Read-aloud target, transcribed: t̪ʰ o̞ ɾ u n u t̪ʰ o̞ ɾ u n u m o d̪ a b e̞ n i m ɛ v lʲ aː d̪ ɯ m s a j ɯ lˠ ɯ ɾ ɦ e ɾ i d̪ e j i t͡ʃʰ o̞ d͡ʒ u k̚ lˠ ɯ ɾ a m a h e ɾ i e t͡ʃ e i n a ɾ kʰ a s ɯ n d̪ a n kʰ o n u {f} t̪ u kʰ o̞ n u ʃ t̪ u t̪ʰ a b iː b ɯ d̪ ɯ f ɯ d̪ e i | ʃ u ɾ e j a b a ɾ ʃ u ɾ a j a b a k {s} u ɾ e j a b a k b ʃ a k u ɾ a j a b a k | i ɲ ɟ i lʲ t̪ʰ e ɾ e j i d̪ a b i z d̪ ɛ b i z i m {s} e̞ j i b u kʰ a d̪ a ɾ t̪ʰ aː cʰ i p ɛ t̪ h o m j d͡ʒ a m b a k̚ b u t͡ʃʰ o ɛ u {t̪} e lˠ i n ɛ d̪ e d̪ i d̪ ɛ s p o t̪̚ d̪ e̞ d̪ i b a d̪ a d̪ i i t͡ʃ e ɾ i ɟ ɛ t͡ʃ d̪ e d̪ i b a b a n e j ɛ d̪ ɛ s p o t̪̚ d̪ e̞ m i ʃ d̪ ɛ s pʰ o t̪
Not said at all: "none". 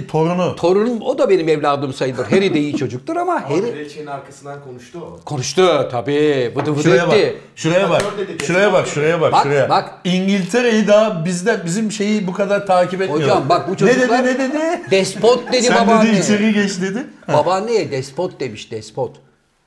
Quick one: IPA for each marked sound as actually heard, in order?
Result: ʃ, ʃ, ʃ, d̪

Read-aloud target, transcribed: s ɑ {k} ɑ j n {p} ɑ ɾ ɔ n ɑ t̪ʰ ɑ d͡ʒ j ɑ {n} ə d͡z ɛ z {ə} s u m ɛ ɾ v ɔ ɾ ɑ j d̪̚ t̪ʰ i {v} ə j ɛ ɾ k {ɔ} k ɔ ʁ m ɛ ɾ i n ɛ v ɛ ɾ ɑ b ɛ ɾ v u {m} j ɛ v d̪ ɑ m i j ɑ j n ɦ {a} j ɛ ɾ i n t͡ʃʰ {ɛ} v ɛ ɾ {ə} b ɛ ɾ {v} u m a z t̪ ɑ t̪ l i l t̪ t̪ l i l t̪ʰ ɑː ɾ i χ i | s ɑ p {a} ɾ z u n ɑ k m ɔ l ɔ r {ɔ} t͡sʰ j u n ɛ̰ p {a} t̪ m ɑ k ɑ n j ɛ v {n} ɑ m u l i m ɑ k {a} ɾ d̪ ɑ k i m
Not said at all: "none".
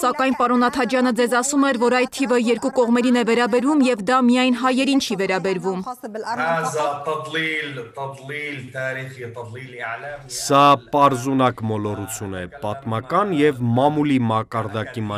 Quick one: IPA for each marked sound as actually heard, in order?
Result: k, p, n, ɑ, v, u, m, ɑ, i, ɑ, v, ɑ, u, ɑ, m, ɑ

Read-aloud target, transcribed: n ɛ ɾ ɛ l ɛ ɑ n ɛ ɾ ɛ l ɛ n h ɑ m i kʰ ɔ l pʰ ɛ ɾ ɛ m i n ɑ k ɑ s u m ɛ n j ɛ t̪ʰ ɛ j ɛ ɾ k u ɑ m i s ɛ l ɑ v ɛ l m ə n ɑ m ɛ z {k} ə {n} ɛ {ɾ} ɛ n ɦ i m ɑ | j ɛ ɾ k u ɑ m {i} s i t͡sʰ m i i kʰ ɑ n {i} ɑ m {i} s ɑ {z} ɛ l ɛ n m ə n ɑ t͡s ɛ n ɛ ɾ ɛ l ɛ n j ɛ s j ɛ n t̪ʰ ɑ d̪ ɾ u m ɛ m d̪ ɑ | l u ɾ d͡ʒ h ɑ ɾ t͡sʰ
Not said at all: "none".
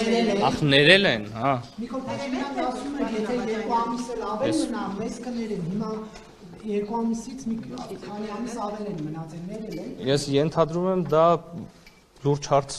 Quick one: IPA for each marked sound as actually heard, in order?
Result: k, n, ɾ, i, i, i, v

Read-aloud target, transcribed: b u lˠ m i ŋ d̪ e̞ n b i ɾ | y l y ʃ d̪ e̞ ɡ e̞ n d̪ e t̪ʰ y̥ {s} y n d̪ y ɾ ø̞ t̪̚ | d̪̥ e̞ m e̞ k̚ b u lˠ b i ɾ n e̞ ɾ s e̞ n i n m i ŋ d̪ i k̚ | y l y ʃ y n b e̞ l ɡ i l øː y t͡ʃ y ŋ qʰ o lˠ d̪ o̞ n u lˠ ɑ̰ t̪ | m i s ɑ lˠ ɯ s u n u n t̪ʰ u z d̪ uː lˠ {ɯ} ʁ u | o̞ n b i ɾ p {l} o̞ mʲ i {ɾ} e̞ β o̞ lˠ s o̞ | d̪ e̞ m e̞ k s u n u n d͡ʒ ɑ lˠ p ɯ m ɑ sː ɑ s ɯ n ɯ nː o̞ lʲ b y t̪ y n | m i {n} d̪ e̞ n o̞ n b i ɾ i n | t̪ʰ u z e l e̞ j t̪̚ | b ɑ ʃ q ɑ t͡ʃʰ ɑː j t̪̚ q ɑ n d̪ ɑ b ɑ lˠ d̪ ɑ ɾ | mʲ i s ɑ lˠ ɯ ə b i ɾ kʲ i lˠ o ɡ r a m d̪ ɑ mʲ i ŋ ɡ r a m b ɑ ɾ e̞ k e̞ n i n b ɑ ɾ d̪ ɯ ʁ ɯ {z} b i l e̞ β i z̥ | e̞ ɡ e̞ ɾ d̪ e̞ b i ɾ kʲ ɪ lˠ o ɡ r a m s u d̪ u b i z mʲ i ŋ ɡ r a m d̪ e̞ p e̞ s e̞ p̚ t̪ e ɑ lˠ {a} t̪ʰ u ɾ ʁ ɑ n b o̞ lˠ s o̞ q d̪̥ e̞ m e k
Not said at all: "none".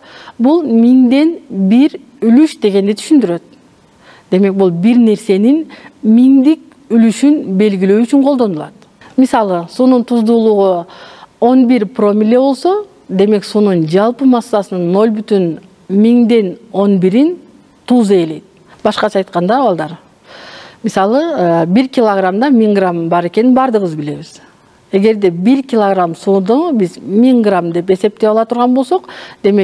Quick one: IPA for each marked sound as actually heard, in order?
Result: ʃ, u, r, l, ŋ, z, ɑ

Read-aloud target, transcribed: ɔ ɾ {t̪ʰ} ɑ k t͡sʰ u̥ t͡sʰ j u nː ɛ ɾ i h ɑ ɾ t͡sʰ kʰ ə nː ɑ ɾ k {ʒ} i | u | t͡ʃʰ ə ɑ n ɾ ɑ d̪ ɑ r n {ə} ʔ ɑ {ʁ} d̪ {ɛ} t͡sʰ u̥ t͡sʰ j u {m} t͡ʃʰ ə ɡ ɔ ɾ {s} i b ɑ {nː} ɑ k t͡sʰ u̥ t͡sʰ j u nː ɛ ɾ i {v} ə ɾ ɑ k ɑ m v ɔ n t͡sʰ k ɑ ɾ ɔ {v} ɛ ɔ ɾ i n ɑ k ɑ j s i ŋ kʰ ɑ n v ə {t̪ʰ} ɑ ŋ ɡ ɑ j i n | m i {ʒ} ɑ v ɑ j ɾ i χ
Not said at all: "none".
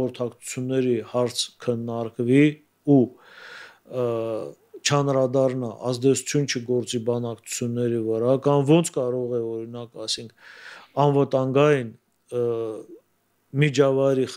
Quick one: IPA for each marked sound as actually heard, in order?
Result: t̪ʰ, v, ɑ, z, ɛ, n, t͡s, n, v, ʁ, t̪, d͡ʒ

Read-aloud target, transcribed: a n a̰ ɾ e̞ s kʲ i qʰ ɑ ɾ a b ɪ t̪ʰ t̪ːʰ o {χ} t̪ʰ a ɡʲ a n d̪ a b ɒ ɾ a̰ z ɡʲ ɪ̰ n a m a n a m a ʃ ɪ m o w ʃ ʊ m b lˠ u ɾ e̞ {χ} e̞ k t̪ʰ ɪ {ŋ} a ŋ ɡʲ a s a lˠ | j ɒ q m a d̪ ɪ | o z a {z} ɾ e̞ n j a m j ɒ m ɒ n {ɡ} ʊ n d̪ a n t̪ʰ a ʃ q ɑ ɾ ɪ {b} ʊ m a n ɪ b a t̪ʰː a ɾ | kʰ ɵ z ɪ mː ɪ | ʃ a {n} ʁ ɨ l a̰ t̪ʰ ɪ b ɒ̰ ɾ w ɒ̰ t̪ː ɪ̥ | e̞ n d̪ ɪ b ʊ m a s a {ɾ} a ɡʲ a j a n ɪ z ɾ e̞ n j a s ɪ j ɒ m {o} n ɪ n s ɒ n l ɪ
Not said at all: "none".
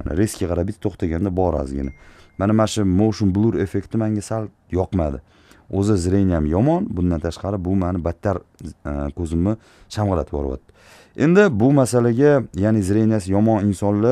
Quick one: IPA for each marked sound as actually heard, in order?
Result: χ, f, m, z, b, b, m, l, ɒ

